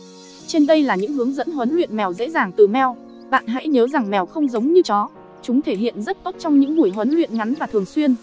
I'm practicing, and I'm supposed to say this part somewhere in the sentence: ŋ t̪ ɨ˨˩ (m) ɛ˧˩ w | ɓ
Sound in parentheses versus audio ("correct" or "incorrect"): correct